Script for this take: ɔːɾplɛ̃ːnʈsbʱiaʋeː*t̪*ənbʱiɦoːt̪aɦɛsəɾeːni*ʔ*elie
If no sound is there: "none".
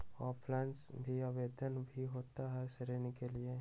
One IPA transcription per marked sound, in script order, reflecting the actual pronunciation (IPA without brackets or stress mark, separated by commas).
d̪, k